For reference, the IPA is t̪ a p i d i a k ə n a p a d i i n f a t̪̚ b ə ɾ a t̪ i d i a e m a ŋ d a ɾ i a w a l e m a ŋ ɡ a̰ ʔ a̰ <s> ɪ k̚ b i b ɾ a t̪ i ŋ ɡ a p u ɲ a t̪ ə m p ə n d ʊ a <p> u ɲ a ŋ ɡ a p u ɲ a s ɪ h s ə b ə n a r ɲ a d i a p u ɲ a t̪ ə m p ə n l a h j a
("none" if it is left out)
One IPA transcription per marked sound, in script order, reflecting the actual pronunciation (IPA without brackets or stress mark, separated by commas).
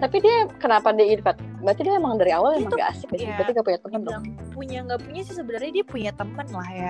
s, p